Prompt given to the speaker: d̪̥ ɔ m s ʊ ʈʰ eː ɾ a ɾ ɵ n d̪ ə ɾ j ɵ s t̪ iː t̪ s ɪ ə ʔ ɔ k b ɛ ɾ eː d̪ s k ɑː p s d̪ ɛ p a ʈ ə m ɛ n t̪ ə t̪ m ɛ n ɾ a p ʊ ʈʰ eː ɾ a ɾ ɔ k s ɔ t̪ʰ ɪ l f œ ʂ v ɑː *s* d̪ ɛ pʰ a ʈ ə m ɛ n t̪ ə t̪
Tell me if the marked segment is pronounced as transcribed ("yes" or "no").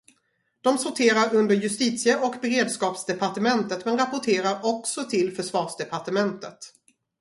no